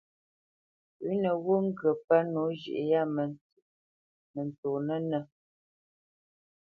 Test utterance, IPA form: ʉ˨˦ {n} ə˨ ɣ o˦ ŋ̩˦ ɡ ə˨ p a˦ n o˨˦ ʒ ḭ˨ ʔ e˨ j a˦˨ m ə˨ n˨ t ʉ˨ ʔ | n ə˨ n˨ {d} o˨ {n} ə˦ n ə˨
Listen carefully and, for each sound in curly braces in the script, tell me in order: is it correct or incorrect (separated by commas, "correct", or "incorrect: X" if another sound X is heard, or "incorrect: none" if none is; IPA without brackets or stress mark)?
correct, incorrect: t, correct